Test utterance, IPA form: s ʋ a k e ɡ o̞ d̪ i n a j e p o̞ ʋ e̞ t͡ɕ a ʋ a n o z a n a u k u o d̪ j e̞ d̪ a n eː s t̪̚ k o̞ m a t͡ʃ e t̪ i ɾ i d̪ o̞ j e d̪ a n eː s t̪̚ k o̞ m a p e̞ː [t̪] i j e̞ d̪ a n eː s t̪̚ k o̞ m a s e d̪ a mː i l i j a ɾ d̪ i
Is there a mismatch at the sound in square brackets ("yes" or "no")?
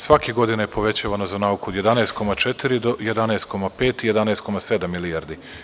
no